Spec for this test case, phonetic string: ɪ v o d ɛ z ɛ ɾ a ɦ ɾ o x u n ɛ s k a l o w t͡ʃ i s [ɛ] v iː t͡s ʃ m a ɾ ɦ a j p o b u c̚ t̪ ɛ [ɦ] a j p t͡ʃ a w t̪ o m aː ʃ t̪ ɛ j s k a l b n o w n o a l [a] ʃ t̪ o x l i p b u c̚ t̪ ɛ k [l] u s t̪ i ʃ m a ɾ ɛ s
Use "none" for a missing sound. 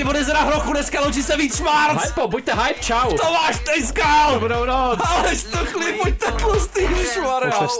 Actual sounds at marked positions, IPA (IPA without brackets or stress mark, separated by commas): ɛ, ɦ, ɛ, l